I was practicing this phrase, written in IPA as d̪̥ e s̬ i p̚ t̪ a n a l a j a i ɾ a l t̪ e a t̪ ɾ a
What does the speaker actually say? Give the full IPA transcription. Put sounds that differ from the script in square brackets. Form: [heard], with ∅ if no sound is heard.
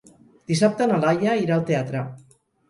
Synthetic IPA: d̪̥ [i] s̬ [a] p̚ t̪ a n a l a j a i ɾ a l t̪ e a t̪ ɾ a